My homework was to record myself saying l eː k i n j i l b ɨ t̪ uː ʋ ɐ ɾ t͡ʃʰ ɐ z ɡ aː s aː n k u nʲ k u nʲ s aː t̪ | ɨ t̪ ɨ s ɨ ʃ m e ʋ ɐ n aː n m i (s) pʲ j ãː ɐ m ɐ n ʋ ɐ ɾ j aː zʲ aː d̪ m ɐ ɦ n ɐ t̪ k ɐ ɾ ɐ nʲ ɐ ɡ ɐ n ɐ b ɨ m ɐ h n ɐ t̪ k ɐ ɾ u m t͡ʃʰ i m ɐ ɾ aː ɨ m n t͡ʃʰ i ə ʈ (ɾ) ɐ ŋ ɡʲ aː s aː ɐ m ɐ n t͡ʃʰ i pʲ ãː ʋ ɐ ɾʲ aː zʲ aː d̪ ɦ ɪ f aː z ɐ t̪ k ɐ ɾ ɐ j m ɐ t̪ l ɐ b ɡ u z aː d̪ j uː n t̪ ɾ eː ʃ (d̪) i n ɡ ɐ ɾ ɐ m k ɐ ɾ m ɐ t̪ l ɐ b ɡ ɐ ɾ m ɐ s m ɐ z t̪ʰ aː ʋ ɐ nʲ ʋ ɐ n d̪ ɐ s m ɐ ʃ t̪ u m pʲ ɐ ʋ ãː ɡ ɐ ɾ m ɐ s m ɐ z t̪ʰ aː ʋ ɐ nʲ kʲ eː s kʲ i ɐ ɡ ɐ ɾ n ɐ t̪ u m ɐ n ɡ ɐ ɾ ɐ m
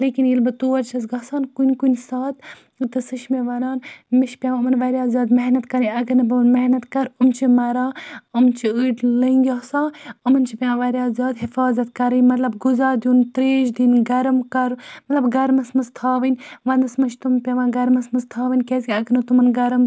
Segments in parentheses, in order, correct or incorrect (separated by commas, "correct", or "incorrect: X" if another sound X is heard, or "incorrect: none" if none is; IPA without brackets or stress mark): incorrect: ʃ, incorrect: l, correct